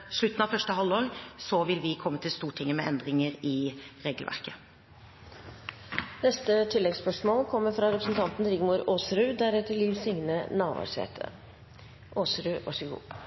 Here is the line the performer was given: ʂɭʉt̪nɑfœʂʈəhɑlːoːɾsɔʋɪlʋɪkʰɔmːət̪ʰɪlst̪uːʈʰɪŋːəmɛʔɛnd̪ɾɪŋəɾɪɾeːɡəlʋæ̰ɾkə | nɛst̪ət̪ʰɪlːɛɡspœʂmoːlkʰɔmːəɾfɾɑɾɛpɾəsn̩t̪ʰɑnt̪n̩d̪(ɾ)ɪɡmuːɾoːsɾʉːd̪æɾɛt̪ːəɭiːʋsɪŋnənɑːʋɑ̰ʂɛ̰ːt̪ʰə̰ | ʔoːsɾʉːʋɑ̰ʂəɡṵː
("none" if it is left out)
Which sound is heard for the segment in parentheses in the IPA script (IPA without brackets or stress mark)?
ɾ